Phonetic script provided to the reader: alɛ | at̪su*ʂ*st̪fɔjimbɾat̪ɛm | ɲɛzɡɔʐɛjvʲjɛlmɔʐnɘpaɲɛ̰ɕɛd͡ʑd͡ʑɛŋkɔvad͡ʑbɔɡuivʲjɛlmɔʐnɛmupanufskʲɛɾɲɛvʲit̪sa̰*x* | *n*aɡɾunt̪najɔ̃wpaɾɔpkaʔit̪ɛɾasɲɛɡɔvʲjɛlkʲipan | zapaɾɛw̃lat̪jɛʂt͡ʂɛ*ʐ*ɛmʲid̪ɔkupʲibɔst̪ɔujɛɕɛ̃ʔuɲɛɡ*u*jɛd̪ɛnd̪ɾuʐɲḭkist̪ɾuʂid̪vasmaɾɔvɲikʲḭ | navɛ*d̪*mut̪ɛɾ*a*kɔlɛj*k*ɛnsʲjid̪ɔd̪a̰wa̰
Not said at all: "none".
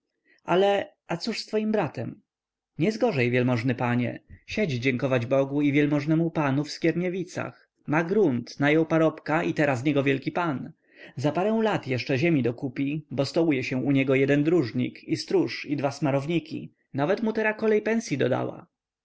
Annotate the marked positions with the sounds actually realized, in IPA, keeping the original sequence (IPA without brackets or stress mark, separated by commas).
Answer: ʂ, x, m, ʑ, ɔ, t̪, a, p